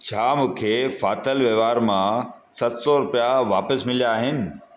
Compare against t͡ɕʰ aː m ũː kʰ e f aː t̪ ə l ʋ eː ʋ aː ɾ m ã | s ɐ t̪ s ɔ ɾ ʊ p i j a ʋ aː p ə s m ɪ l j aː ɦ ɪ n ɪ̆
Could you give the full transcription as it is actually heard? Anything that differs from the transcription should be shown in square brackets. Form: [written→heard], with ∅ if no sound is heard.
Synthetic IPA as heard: t͡ɕʰ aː m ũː kʰ e f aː t̪ ə l ʋ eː ʋ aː ɾ m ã | s ɐ t̪ s ɔ ɾ ʊ p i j a ʋ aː p ə s m ɪ l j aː ɦ ɪ n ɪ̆